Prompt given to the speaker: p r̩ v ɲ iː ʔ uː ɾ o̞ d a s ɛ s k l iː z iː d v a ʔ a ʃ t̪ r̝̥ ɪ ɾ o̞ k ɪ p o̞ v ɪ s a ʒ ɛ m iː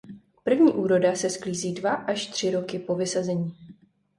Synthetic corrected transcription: p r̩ v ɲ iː ʔ uː ɾ o̞ d a s ɛ s k l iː z iː d v a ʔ a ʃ t̪ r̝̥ ɪ ɾ o̞ k ɪ p o̞ v ɪ s a z ɛ ɲ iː